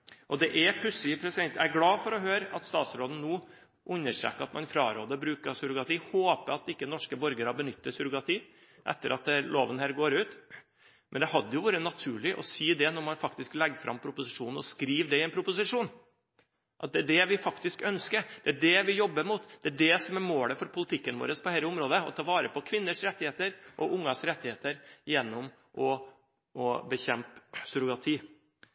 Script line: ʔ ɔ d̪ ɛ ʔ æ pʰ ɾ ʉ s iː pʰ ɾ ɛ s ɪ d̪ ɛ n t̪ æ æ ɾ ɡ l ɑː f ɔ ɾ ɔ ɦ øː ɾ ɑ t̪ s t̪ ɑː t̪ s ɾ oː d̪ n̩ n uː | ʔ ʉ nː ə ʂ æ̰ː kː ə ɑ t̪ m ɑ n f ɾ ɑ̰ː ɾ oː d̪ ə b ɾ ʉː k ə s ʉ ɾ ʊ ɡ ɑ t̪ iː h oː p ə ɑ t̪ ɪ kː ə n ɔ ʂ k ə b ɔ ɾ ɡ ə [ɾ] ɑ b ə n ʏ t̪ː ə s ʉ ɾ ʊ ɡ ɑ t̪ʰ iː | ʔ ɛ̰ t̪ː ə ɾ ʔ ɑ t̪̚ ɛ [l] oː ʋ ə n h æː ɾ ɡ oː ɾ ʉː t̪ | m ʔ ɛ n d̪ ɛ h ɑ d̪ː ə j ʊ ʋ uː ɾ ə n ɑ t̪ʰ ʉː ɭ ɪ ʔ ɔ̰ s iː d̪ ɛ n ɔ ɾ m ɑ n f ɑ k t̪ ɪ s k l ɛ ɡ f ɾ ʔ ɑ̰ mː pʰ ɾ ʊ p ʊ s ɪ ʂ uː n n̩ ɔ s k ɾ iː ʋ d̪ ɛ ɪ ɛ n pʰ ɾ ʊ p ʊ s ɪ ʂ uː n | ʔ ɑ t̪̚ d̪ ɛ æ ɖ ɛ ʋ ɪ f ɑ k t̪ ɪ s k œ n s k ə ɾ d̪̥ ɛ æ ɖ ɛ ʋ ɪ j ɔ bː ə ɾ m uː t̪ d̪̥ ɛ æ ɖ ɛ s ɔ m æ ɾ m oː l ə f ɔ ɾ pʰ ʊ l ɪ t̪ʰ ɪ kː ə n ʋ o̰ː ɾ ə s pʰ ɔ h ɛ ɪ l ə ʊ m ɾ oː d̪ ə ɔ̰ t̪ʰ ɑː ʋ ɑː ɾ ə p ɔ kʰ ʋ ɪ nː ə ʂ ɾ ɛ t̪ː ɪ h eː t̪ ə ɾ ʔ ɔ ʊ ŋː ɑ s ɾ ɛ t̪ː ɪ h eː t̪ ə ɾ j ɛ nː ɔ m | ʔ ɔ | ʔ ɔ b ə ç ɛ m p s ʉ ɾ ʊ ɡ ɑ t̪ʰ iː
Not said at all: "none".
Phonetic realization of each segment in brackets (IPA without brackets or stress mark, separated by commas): ɾ, l